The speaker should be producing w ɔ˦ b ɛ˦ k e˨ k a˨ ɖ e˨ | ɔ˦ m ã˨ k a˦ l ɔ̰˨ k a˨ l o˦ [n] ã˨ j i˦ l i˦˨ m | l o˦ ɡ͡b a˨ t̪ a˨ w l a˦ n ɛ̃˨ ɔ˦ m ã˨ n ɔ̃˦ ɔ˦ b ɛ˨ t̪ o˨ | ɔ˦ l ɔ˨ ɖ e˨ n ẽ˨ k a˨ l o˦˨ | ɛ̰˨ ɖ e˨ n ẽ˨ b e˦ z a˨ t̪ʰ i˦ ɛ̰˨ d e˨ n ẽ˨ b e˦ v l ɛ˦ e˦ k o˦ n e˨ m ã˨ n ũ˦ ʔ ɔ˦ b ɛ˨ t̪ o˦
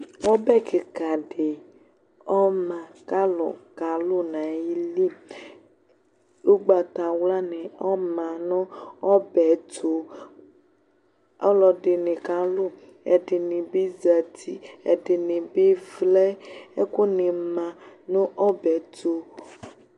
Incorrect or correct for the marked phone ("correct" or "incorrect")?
correct